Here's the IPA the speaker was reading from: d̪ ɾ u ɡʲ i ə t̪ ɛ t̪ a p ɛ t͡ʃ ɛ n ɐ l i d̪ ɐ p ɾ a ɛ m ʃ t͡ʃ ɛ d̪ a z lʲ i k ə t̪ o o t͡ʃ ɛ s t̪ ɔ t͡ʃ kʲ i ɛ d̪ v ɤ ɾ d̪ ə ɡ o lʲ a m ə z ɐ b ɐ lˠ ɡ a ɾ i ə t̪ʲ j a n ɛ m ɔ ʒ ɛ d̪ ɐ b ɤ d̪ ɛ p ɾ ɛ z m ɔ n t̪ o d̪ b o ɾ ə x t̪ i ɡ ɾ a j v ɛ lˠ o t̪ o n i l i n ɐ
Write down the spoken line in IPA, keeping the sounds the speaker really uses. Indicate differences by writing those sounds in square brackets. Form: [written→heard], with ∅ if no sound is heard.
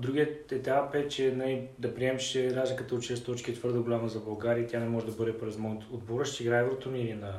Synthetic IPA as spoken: d̪ ɾ u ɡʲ i ə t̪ ɛ t̪ a p ɛ t͡ʃ ɛ n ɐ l i d̪ ɐ p ɾ [a→i] ɛ m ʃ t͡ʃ ɛ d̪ a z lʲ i k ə t̪ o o t͡ʃ ɛ s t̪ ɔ t͡ʃ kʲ i ɛ [d̪→t̪] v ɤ ɾ d̪ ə ɡ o lʲ a m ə z ɐ b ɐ lˠ ɡ a ɾ i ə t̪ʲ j a n ɛ m ɔ ʒ ɛ d̪ ɐ b ɤ d̪ ɛ p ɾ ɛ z m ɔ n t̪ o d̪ b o ɾ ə [x→ʃ] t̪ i ɡ ɾ a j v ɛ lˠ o t̪ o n i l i n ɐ